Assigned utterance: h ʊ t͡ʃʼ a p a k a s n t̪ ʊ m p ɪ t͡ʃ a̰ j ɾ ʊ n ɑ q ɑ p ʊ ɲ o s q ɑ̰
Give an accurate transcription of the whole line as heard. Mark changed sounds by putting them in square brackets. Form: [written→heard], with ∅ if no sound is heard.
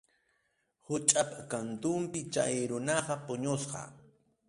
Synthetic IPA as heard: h ʊ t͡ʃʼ a p a k a [s→∅] n t̪ ʊ m p ɪ t͡ʃ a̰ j ɾ ʊ n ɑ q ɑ p ʊ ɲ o s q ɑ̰